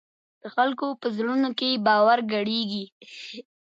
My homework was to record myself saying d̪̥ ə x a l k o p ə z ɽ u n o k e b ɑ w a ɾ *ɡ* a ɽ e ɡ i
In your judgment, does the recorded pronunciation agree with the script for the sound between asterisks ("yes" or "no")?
yes